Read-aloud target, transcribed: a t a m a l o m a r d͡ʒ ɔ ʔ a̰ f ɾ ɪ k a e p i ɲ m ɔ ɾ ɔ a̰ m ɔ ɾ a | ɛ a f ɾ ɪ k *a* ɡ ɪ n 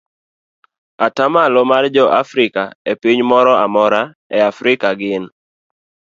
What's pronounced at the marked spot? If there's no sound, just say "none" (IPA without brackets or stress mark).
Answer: a